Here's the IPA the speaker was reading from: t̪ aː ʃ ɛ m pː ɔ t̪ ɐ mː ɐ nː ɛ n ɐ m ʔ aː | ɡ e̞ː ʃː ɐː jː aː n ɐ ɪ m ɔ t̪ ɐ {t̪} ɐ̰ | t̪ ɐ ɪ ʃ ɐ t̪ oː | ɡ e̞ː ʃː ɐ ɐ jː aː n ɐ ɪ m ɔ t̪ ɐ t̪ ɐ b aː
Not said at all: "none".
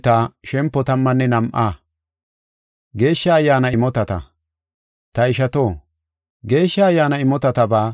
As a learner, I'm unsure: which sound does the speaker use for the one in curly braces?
t̪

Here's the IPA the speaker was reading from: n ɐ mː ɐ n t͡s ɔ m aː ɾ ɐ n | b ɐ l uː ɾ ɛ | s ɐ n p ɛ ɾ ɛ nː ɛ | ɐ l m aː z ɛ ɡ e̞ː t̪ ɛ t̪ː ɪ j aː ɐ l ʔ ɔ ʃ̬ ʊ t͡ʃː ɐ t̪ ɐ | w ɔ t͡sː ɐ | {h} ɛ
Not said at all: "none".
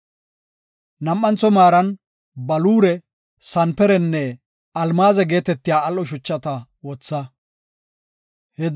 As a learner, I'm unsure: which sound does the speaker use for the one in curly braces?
h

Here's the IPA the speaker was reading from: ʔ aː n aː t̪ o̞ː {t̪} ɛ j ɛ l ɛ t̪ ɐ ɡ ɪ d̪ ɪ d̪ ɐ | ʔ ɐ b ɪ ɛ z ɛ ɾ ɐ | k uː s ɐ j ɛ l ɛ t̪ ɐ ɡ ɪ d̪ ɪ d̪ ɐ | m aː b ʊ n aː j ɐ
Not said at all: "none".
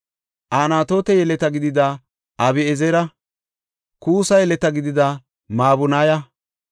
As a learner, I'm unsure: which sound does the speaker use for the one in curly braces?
t̪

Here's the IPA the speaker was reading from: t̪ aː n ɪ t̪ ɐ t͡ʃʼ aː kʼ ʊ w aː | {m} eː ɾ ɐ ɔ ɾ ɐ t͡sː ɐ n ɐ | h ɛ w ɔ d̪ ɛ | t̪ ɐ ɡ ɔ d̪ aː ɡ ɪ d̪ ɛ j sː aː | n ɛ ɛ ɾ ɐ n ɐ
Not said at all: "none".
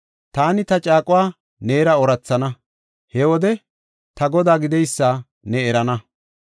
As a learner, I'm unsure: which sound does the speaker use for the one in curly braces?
n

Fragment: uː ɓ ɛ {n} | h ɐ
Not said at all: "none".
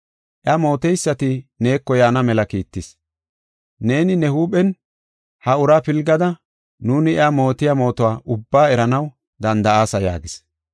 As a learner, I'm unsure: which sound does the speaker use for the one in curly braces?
n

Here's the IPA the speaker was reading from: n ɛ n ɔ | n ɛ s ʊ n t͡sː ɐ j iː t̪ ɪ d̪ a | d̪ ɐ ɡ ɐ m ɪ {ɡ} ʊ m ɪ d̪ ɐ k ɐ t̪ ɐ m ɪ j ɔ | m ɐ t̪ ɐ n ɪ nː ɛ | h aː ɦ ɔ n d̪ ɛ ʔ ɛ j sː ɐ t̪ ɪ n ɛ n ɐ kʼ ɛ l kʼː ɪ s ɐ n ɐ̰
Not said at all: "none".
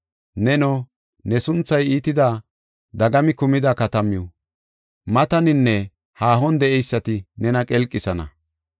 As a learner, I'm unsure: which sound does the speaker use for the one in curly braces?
k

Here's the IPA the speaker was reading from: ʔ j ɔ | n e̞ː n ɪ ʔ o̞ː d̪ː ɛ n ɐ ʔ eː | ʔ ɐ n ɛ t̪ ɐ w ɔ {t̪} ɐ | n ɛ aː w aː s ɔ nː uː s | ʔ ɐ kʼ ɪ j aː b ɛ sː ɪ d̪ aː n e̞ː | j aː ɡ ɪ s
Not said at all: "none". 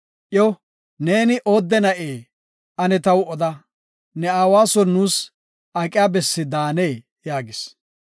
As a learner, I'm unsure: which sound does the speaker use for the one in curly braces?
d̪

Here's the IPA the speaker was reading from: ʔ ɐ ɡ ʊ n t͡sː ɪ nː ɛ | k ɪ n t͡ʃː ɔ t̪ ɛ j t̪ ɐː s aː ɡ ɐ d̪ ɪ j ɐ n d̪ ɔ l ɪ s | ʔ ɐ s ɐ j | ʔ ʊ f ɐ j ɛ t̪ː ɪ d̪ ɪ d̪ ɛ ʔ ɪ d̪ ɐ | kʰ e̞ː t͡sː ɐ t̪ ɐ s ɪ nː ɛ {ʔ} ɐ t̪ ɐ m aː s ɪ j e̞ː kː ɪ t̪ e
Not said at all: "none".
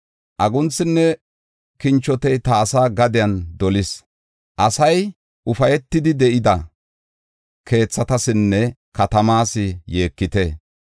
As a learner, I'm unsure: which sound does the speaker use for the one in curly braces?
k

